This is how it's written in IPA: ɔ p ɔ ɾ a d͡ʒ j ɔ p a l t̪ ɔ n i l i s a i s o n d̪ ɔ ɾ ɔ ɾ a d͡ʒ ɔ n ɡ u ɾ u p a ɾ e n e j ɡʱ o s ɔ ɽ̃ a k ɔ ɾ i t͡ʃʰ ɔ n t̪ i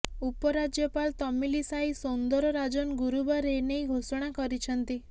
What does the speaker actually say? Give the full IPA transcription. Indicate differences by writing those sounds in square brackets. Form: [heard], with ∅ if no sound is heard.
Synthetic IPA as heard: [u] p ɔ ɾ a d͡ʒ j ɔ p a l t̪ ɔ [m] i l i s a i s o n d̪ ɔ ɾ ɔ ɾ a d͡ʒ ɔ n ɡ u ɾ u [b] a ɾ e n e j ɡʱ o s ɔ ɽ̃ a k ɔ ɾ i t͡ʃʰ ɔ n t̪ i